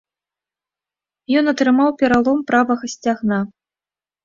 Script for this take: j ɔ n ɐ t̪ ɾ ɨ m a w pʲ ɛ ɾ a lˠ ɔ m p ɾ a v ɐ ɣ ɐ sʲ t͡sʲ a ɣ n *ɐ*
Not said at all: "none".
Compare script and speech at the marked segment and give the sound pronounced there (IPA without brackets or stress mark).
a